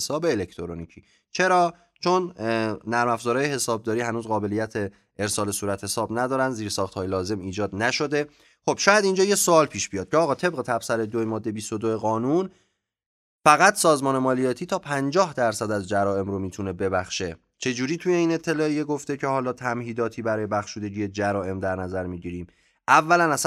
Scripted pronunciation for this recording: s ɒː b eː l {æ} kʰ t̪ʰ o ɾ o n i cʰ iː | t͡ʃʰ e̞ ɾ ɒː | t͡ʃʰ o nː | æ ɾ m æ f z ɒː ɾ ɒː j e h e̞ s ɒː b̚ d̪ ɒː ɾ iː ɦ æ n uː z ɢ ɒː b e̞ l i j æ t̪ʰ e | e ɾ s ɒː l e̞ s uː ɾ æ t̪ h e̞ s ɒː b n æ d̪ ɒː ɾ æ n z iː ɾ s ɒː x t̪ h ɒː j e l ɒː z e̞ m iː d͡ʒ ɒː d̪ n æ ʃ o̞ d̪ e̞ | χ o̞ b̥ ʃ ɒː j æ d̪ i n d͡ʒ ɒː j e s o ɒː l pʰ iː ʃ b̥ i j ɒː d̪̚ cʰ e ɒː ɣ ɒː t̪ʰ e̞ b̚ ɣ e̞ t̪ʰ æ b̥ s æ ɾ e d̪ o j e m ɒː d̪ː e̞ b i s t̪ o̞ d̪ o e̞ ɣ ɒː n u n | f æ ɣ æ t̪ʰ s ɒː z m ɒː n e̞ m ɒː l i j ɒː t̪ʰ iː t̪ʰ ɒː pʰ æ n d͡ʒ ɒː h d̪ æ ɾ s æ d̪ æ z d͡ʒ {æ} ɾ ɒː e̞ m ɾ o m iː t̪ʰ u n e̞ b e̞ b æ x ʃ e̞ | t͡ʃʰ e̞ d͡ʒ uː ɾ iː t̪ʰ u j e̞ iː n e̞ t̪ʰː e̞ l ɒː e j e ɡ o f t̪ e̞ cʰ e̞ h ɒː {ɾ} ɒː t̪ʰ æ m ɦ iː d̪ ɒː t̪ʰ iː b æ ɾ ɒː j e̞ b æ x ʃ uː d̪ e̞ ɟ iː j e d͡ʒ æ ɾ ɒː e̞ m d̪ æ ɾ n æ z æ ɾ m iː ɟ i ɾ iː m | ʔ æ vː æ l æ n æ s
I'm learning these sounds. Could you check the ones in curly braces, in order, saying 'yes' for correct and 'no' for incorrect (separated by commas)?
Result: no, yes, no